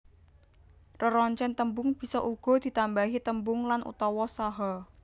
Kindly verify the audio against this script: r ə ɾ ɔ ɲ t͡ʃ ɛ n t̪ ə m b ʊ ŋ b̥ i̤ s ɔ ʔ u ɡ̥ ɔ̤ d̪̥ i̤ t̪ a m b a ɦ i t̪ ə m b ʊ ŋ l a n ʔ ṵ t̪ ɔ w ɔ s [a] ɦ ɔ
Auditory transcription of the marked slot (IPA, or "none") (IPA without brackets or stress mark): a